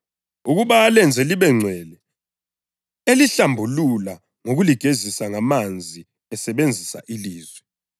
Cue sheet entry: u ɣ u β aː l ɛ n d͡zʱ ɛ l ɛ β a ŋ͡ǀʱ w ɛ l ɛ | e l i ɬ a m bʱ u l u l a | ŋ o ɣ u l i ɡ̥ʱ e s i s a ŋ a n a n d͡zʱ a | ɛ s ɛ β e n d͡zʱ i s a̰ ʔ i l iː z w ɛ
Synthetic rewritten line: u ɣ u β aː l ɛ n d͡zʱ ɛ l i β ɛ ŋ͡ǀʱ w ɛ l ɛ | e l i ɬ a m bʱ u l u l a | ŋ o ɣ u l i ɡ̥ʱ e z i s a ŋ a m a n d͡zʱ i | ɛ s ɛ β e n d͡zʱ i s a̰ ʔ i l iː z w ɛ